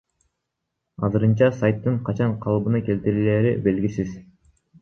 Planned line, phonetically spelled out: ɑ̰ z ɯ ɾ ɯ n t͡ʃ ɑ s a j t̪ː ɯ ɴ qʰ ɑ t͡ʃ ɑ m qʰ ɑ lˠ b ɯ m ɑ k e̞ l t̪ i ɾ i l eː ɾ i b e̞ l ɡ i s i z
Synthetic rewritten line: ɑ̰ z ɯ ɾ ɯ n t͡ʃ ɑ s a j t̪ː ɯ ɴ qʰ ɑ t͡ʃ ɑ ɴ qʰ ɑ lˠ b ɯ n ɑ k e̞ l t̪ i ɾ i l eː ɾ i b e̞ l ɡ i s i z